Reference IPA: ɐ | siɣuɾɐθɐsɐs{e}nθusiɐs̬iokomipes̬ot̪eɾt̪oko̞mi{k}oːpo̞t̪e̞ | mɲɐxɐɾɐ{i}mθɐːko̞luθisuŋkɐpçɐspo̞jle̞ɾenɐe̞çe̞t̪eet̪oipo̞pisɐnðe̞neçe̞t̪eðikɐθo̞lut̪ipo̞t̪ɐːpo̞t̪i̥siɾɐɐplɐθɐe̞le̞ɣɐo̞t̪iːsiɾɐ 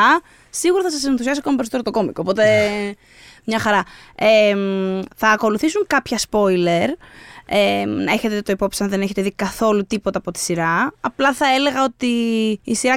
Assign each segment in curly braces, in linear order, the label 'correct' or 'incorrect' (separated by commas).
correct, correct, incorrect